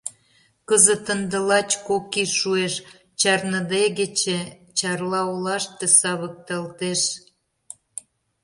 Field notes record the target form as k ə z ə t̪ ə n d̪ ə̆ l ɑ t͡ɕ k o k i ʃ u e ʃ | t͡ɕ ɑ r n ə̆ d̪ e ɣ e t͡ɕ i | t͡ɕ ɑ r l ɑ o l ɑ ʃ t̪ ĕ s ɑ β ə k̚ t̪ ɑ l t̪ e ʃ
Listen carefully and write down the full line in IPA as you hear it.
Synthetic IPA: k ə z ə t̪ ə n d̪ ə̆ l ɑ t͡ɕ k o k i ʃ u e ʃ | t͡ɕ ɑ r n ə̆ d̪ e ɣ e t͡ɕ e | t͡ɕ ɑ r l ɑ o l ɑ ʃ t̪ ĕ s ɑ β ə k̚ t̪ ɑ l t̪ e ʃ